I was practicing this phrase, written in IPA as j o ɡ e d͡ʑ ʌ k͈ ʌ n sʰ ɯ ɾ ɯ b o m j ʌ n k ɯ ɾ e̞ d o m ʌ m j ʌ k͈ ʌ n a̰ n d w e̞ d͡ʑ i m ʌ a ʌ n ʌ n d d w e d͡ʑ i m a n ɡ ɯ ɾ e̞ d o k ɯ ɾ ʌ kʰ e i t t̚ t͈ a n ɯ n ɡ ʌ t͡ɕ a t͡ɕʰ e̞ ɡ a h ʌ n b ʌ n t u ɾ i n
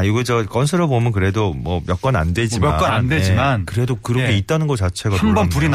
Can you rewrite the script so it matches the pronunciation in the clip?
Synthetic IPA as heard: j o ɡ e d͡ʑ ʌ k͈ ʌ n sʰ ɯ ɾ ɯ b o m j ʌ n k ɯ ɾ e̞ d o m ʌ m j ʌ k͈ ʌ n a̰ n d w e̞ d͡ʑ i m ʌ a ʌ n a n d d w e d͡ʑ i m a n k ɯ ɾ e̞ d o k ɯ ɾ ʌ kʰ e i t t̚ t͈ a n ɯ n ɡ ʌ t͡ɕ a t͡ɕʰ e̞ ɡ a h a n b ʌ n p u ɾ i n